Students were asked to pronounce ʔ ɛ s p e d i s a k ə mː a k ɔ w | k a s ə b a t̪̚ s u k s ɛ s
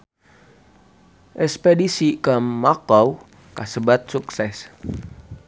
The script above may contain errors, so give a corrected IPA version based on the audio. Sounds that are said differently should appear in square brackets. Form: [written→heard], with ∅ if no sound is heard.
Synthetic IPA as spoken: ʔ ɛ s p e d i s [a→i] k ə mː a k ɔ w | k a s ə b a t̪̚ s u k s ɛ s